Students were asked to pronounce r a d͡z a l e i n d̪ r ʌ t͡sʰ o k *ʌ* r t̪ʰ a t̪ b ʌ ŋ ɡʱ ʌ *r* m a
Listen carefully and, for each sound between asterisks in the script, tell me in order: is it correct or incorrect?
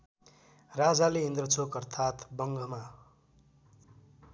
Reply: correct, incorrect

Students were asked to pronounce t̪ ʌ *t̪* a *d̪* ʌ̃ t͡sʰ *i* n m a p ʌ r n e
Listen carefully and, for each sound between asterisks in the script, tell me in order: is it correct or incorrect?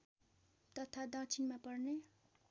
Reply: incorrect, correct, correct

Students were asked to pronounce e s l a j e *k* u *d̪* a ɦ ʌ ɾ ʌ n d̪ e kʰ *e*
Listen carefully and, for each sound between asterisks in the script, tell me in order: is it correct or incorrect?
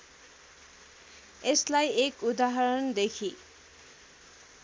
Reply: correct, correct, incorrect

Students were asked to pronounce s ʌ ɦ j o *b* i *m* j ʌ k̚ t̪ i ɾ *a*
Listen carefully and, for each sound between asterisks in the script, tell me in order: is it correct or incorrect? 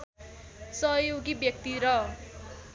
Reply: incorrect, incorrect, incorrect

